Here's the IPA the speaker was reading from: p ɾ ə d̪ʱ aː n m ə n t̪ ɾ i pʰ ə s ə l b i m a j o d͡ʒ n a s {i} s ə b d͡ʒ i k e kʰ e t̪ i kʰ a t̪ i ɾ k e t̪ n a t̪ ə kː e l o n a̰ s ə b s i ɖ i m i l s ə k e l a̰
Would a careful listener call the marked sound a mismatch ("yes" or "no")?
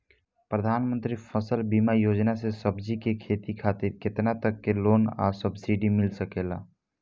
yes